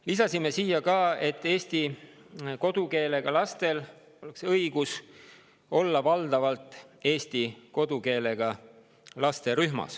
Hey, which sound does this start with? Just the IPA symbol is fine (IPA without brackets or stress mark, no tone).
l